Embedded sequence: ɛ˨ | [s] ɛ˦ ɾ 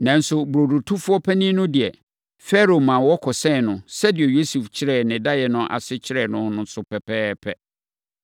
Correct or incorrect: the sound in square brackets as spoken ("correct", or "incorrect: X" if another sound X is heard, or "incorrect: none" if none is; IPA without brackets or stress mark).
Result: incorrect: f